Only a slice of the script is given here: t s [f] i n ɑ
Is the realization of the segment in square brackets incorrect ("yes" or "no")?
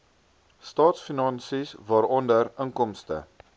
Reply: no